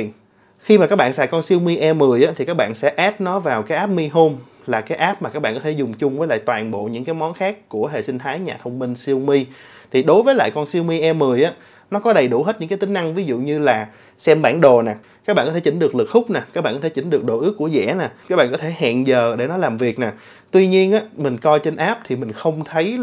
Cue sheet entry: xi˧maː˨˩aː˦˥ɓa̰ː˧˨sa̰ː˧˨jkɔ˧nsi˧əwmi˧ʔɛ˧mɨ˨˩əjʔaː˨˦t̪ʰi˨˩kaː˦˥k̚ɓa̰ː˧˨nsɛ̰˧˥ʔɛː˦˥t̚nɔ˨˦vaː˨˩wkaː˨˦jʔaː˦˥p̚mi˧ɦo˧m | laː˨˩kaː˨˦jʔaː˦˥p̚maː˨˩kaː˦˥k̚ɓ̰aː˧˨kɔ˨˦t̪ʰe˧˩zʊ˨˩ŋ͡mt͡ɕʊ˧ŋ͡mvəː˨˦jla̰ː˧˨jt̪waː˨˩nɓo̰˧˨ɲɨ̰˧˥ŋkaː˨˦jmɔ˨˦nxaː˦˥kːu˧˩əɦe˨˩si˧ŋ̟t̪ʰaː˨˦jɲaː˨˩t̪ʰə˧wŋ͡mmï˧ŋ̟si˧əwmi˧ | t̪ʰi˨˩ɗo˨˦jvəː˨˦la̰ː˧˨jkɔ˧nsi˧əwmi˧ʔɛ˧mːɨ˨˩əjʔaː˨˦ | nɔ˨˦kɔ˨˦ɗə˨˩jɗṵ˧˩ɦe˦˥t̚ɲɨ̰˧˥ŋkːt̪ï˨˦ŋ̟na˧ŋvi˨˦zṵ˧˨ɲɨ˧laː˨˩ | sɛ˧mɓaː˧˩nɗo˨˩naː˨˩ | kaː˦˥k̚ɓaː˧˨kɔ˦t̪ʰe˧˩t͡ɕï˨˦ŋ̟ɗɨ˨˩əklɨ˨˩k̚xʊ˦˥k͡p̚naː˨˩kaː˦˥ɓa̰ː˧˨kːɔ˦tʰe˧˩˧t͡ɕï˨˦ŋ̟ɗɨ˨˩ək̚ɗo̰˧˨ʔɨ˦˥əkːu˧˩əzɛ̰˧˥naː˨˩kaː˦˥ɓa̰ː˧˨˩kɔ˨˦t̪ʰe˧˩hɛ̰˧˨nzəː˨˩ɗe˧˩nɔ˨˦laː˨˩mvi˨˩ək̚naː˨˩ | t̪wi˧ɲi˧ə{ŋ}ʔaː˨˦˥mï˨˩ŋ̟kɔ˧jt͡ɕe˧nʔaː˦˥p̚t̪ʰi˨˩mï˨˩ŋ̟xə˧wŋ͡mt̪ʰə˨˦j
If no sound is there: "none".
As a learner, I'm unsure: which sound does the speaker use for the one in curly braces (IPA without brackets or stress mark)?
n